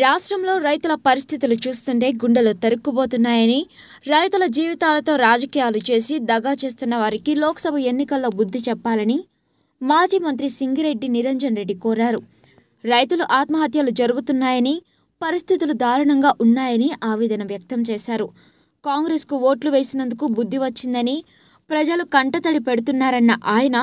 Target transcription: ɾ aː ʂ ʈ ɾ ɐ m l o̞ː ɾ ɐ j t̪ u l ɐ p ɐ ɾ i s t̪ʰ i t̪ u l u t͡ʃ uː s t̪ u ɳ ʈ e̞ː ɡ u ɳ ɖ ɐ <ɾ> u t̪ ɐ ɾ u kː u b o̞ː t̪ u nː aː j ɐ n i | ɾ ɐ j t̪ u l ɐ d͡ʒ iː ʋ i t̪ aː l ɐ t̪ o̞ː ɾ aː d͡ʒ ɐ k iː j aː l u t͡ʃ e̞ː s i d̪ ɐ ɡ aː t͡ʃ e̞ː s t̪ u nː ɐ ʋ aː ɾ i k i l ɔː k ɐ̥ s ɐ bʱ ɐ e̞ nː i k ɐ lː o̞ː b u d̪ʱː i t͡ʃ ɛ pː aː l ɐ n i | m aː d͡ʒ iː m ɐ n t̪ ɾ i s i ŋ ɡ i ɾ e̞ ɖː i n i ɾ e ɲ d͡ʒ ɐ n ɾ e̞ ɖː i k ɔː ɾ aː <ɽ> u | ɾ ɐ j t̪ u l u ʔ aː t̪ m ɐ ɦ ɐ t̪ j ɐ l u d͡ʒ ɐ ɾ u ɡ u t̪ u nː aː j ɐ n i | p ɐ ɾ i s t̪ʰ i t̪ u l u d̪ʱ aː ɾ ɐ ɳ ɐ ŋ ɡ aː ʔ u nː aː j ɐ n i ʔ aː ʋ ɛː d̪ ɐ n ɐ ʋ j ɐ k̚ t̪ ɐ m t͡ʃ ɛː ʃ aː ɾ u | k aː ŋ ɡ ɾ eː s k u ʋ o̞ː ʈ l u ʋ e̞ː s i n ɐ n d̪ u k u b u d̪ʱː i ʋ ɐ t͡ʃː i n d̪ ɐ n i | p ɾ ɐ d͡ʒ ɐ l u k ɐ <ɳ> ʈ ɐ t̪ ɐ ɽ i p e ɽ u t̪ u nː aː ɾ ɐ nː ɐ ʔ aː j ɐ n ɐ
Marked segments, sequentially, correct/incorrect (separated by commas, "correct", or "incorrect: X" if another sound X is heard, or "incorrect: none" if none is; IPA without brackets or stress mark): incorrect: l, incorrect: ɾ, correct